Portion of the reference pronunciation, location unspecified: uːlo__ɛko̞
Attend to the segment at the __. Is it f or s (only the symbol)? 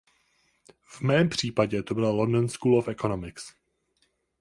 f